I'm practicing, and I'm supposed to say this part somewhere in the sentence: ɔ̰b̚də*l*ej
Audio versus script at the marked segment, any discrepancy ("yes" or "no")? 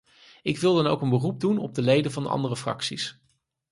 no